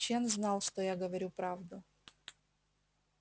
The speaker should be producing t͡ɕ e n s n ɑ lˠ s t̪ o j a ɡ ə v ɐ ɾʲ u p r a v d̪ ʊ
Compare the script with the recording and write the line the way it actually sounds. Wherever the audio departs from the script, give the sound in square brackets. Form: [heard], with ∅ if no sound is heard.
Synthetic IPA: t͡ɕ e n [z] n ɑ lˠ [ʂ] t̪ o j a ɡ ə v ɐ ɾʲ u p [ɾ] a v d̪ ʊ